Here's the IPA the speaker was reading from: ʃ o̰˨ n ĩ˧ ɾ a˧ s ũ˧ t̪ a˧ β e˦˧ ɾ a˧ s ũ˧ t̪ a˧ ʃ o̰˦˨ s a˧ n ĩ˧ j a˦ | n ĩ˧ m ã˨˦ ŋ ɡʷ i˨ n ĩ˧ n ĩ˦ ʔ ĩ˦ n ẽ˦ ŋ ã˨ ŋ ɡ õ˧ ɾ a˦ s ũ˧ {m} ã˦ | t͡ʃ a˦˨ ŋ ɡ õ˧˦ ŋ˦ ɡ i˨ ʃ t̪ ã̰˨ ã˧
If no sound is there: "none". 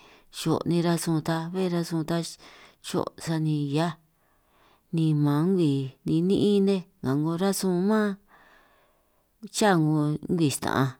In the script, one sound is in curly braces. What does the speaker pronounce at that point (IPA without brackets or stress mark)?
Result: m